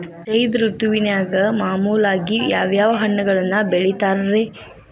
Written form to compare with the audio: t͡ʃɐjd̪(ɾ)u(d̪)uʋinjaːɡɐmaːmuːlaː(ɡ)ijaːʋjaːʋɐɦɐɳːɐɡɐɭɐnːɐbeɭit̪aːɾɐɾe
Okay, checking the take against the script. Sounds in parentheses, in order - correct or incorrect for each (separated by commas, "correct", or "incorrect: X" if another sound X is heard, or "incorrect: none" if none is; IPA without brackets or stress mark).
correct, incorrect: t̪, correct